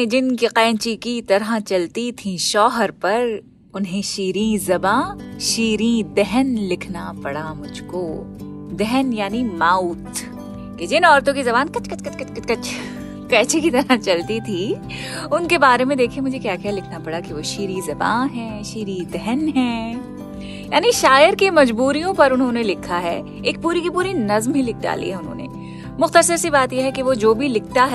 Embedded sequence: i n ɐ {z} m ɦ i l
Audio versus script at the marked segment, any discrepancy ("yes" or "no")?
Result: no